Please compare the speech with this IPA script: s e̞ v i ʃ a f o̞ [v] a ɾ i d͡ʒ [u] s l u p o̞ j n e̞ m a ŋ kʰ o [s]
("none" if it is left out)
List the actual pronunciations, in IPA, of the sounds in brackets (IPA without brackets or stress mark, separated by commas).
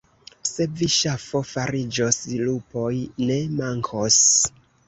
f, o, s